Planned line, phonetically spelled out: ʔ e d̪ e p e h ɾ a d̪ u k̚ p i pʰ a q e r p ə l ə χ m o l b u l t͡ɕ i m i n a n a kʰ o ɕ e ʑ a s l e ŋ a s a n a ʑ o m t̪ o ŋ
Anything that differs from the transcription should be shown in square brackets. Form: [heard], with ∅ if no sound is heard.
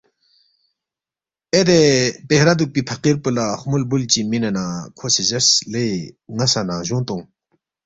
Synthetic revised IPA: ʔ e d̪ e p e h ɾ a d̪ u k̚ p i pʰ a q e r p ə l [a] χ m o l b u l t͡ɕ i m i n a n a kʰ o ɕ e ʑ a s l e ŋ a s a n a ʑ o [ŋ] t̪ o ŋ